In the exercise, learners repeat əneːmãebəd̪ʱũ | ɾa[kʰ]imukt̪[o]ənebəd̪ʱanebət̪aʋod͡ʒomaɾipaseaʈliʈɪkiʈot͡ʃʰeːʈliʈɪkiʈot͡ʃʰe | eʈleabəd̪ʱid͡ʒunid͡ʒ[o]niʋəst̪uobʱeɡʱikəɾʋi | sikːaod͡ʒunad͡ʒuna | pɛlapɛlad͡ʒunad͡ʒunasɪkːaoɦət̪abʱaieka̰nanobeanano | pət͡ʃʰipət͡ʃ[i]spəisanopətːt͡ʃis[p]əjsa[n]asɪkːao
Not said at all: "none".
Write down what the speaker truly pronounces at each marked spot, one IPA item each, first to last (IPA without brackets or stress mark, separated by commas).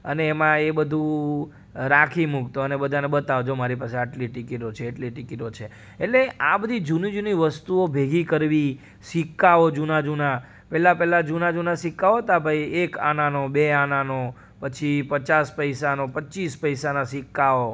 kʰ, o, u, a, p, n